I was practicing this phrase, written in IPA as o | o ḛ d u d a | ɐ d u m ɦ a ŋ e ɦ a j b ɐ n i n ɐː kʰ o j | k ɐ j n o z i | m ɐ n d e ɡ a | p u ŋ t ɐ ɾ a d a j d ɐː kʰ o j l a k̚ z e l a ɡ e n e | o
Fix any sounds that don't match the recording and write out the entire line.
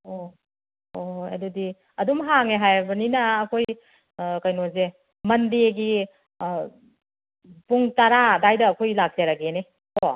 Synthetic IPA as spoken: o | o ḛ d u d i | ɐ d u m ɦ a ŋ e ɦ a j b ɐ n i n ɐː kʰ o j | k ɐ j n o z e | m ɐ n d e ɡ i | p u ŋ t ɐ ɾ a d a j d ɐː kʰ o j l a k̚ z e ɾ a ɡ e n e | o